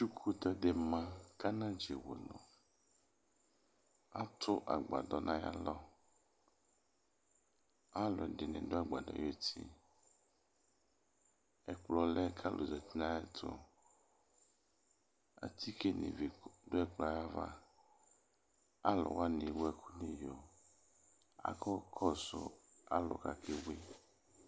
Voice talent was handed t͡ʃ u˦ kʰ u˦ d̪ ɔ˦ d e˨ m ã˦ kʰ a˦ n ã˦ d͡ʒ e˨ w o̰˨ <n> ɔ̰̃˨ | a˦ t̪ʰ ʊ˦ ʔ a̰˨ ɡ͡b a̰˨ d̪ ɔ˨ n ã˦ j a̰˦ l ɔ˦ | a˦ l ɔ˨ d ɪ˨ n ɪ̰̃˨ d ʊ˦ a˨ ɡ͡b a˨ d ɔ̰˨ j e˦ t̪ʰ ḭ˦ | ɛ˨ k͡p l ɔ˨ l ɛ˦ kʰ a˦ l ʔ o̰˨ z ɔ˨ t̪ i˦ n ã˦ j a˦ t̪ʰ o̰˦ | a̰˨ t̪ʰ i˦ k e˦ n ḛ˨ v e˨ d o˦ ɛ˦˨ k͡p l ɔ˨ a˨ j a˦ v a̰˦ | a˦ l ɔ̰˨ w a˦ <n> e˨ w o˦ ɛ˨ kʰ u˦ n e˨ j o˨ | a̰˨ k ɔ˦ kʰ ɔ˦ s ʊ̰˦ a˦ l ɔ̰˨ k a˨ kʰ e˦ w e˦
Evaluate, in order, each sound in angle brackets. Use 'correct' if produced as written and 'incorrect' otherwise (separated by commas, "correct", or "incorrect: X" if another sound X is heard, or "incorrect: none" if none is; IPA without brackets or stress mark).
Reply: correct, correct